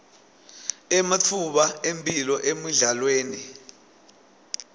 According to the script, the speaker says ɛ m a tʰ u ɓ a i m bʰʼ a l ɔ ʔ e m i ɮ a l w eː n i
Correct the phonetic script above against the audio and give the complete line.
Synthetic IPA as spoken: ɛ m a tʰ u ɓ a e m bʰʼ i l ɔ ʔ e m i ɮ a l w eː n i